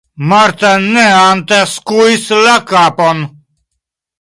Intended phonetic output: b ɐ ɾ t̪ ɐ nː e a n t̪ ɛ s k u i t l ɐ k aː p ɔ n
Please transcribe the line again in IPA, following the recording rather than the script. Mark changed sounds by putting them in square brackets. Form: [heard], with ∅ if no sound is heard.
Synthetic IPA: [m] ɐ ɾ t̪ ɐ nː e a n t̪ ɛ s k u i [s] l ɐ k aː p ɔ n